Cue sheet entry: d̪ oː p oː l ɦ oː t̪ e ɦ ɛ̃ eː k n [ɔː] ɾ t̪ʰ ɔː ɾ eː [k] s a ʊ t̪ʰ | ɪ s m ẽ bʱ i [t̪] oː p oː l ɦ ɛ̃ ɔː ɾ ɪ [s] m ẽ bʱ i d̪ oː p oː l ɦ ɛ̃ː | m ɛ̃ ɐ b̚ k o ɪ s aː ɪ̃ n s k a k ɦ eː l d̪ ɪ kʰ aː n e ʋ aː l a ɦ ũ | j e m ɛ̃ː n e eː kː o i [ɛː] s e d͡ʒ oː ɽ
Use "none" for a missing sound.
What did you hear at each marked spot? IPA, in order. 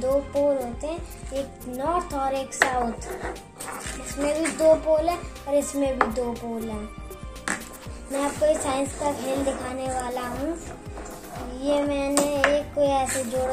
ɔː, k, d̪, s, ɛː

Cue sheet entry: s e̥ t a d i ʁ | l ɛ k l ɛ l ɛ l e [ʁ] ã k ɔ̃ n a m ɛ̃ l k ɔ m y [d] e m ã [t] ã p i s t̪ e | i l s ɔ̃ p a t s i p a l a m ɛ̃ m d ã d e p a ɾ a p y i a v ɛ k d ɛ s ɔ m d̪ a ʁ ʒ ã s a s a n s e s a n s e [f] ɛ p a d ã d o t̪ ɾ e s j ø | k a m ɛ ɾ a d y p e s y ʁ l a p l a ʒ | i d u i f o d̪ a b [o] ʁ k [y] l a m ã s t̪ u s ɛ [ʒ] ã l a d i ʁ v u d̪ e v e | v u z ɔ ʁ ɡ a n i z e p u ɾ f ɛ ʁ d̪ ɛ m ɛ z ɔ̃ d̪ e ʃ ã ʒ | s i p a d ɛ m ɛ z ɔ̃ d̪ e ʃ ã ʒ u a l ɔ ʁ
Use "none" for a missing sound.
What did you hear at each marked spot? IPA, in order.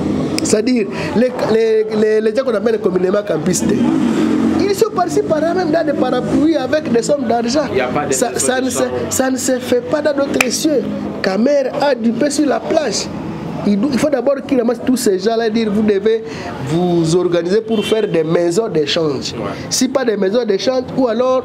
ʒ, n, k, f, ɔ, i, ʒ

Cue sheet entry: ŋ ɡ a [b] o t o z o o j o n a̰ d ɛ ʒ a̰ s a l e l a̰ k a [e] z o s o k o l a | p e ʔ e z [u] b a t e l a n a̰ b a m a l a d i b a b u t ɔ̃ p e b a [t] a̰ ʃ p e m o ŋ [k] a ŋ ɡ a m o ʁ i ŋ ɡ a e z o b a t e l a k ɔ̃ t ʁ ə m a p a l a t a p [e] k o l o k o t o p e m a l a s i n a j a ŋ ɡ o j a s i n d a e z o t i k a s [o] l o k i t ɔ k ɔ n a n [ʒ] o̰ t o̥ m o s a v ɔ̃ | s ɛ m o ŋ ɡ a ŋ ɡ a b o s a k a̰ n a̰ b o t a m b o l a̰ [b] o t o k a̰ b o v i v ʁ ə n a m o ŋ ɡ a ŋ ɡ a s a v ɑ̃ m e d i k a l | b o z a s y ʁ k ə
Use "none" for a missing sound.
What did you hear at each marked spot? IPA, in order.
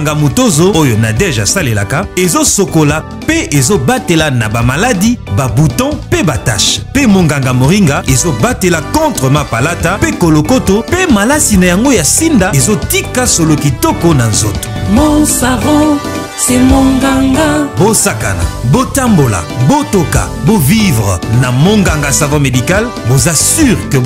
m, e, o, t, ɡ, e, o, z, b

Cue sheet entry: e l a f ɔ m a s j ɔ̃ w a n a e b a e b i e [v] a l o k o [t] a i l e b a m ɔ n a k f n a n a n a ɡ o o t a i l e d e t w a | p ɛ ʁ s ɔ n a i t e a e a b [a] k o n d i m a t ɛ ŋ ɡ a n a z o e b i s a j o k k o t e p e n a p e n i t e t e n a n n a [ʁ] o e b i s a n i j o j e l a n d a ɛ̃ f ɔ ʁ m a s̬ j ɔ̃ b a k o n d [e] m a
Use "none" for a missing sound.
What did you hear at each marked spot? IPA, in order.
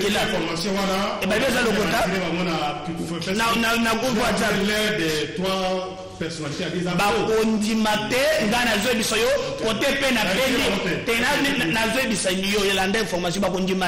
z, t, a, z, i

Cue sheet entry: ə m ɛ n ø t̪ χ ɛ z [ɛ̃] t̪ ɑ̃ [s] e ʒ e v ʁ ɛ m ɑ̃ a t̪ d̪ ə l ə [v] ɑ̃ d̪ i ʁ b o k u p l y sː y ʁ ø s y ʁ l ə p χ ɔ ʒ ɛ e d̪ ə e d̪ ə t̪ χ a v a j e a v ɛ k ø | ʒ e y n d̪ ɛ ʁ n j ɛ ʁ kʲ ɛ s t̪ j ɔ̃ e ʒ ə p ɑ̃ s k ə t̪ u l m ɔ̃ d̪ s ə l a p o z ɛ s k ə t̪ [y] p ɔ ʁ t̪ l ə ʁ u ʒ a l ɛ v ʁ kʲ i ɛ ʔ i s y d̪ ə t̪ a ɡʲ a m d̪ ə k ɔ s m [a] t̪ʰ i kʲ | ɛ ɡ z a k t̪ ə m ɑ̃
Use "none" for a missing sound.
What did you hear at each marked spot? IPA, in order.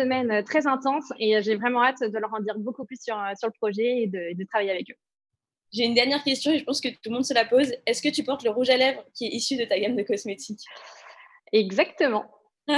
ɛ̃, s, ʁ, y, e

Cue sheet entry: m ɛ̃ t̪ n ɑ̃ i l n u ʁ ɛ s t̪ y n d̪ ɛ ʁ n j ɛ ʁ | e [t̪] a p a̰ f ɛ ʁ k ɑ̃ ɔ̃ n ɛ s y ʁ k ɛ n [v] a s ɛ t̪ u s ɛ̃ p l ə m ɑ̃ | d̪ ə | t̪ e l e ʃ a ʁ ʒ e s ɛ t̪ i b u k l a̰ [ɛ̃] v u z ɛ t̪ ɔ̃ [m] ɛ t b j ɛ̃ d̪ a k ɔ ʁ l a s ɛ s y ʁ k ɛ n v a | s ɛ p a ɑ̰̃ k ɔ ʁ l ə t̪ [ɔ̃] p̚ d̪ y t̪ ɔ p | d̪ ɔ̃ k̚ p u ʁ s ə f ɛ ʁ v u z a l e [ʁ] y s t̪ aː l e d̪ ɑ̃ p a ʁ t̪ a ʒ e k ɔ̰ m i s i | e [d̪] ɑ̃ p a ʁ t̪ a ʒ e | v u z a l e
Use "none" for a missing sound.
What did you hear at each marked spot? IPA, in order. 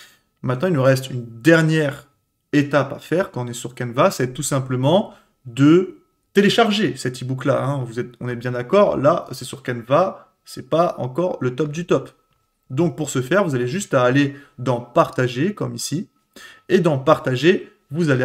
t̪, v, ɛ̃, n, ɔ, ʒ, d̪

